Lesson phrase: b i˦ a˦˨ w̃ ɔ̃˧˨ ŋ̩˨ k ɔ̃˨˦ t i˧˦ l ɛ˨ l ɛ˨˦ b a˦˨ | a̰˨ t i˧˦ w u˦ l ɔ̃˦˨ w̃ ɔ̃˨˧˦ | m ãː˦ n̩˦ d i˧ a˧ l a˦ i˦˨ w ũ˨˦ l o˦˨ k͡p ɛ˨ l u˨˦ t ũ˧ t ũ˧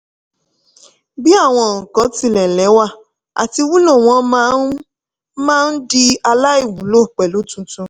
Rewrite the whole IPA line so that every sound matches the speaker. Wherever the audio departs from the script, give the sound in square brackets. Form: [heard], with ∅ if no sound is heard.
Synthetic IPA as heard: b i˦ a˦˨ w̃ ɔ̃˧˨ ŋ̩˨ k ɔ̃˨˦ t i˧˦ l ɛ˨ l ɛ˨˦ [w] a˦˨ | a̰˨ t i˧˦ w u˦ l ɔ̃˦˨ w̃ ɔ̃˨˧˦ | m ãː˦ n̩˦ d i˧ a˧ l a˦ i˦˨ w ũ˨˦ l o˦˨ k͡p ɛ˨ l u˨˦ t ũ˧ t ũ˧